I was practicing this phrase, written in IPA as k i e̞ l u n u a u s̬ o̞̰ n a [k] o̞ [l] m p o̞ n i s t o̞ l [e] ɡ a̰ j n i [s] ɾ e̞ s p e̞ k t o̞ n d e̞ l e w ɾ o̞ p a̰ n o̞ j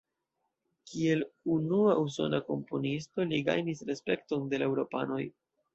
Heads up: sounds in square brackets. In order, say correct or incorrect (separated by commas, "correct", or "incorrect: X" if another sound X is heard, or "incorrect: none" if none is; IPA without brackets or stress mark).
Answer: correct, incorrect: none, incorrect: i, correct